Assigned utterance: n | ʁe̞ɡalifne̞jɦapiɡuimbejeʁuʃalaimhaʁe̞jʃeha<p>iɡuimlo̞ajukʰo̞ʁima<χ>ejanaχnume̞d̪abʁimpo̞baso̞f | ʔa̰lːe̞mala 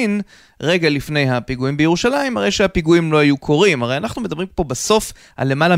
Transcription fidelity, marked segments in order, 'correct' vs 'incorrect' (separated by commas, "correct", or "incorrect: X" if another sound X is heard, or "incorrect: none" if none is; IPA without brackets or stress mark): correct, incorrect: ʁ